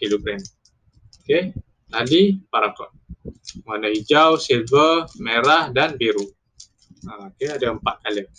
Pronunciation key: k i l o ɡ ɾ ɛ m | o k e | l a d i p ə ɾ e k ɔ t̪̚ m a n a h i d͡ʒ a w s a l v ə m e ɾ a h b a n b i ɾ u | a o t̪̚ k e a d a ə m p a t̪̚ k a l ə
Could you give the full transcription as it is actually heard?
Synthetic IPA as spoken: k i l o ɡ ɾ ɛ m | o k e | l a d i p a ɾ a k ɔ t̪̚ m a n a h i d͡ʒ a w s i l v ə m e ɾ a h d a n b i ɾ u | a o k e a d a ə m p a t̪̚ k a l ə